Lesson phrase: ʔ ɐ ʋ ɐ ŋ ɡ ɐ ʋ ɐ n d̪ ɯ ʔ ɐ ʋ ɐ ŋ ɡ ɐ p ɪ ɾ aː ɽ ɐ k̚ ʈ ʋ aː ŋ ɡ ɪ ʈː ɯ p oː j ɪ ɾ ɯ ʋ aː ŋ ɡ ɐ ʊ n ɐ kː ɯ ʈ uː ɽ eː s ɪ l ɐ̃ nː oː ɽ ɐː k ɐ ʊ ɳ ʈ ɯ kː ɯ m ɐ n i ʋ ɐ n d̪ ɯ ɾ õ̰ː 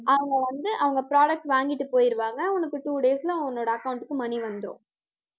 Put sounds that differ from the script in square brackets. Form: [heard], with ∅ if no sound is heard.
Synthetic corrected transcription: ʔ ɐ ʋ ɐ ŋ ɡ ɐ ʋ ɐ n d̪ ɯ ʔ ɐ ʋ ɐ ŋ ɡ ɐ p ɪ ɾ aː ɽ ɐ k̚ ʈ ʋ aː ŋ ɡ ɪ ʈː ɯ p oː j ɪ ɾ ɯ ʋ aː ŋ ɡ ɐ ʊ n ɐ kː ɯ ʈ uː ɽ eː s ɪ l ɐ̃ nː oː ɽ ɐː k ɐ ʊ ɳ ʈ ɯ kː ɯ m ɐ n i ʋ ɐ n d̪ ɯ ɾ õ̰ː